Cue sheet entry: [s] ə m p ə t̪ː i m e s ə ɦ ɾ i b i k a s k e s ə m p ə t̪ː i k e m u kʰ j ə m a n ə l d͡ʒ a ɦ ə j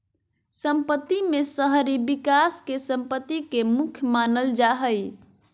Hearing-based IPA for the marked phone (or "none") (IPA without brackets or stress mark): s